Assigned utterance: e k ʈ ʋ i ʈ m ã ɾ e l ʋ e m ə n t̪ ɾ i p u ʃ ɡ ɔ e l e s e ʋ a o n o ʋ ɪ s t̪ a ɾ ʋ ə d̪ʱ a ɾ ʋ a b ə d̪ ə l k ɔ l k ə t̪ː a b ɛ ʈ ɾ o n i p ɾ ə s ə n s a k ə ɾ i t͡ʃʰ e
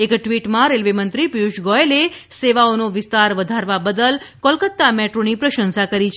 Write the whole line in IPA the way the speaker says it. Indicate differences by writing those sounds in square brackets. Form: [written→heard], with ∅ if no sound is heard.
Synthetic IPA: e k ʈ ʋ i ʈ m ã ɾ e l ʋ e m ə n t̪ ɾ i p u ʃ ɡ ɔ e l e s e ʋ a o n o ʋ ɪ s t̪ a ɾ ʋ ə d̪ʱ a ɾ ʋ a b ə d̪ ə l k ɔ l k ə t̪ː a [b→m] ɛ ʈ ɾ o n i p ɾ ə [s→ʃ] ə n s a k ə ɾ i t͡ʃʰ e